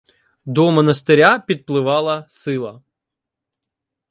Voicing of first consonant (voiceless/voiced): voiced